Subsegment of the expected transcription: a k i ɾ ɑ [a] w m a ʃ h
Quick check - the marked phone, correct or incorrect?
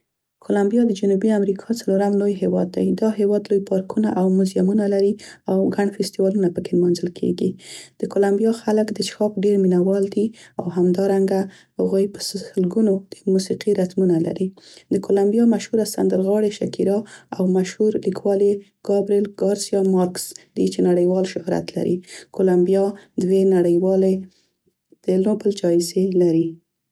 correct